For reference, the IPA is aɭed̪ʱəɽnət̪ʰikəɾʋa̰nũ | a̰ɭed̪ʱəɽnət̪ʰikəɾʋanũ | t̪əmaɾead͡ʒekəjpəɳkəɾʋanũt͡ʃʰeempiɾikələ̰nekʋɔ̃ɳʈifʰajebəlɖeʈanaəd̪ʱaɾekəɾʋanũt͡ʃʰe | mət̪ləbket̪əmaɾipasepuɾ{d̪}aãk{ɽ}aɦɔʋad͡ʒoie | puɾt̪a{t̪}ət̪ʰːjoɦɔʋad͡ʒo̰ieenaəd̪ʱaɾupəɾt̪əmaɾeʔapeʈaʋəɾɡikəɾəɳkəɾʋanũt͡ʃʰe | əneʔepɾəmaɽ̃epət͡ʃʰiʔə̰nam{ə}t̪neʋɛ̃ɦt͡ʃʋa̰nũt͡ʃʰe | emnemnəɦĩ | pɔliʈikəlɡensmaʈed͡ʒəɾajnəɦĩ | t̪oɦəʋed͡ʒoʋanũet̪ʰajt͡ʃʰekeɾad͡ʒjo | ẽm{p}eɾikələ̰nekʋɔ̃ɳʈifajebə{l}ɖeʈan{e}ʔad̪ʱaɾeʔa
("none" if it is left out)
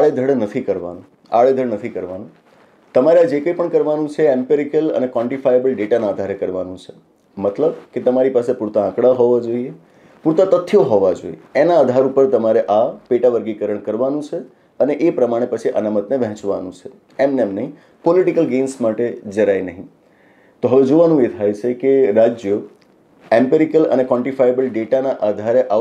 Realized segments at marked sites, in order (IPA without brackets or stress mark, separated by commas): t̪, ɽ, t̪, ə, p, l, a